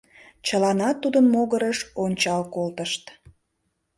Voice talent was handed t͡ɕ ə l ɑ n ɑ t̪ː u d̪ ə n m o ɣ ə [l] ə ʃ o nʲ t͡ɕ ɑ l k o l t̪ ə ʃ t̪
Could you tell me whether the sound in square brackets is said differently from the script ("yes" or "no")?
yes